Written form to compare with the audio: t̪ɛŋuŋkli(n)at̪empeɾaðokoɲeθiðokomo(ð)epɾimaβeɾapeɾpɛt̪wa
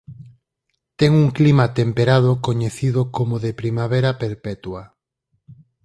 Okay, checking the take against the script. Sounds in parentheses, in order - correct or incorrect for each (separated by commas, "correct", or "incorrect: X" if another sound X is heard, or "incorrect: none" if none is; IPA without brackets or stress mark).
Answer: incorrect: m, correct